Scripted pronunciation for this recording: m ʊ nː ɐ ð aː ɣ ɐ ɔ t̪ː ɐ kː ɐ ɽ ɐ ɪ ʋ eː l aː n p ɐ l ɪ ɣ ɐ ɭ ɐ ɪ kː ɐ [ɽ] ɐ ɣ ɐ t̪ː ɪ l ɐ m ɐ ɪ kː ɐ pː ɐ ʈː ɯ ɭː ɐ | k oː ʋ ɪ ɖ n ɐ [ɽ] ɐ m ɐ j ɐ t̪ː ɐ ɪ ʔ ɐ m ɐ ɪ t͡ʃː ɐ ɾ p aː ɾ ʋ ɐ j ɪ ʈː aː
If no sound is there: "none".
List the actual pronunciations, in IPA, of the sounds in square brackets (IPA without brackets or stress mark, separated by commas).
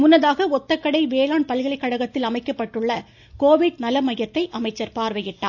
ɽ, l